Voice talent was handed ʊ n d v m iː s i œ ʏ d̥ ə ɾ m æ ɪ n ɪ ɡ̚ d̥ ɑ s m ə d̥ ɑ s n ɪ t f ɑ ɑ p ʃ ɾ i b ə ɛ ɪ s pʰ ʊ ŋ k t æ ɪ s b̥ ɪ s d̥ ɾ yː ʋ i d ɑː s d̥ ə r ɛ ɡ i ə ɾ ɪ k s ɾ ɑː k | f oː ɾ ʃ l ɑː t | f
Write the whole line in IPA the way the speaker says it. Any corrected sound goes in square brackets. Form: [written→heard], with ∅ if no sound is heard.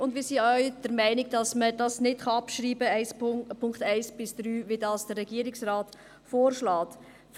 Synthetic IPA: ʊ n d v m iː s i œ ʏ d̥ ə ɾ m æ ɪ n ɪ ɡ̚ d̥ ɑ s m ə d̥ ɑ s n ɪ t [f→χ] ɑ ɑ p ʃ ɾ [i→iː] b ə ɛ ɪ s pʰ ʊ ŋ k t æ ɪ s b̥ ɪ s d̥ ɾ yː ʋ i d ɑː s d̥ ə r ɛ ɡ i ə ɾ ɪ k s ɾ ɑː [k→t] | f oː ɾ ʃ l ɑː t | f

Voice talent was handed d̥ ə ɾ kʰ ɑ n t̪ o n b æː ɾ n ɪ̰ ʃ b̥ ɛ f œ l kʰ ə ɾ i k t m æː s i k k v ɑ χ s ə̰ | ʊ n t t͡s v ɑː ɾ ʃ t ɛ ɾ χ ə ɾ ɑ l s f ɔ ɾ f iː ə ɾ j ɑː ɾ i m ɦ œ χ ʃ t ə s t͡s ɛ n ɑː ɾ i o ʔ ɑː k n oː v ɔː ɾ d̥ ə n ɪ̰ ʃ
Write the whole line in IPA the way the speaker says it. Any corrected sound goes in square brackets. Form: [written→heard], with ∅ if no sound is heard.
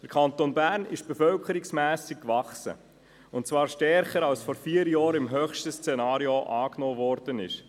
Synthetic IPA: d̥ ə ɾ kʰ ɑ n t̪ o n b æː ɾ n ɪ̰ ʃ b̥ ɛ f œ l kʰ ə ɾ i k [t→s] m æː s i k k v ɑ χ s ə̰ | ʊ n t t͡s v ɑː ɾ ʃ t ɛ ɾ χ ə ɾ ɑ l s f ɔ ɾ f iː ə ɾ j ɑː ɾ [i→ɪ] m ɦ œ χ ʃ t ə s t͡s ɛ n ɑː ɾ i o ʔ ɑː k n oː v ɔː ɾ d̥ ə n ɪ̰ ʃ

